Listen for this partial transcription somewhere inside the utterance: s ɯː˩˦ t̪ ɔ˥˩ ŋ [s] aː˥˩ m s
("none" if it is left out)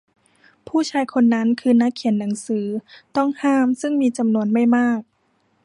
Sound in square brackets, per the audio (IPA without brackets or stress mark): h